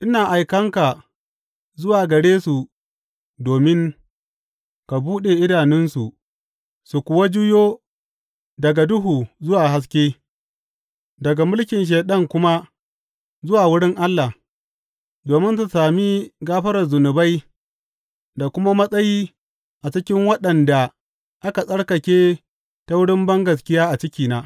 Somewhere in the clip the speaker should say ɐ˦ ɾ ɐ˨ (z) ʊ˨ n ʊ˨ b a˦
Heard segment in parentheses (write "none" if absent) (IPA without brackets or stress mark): z